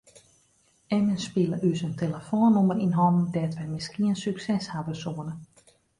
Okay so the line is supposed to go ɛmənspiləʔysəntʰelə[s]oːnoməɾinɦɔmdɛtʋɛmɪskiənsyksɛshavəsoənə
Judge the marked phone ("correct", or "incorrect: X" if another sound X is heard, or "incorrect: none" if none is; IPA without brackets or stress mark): incorrect: f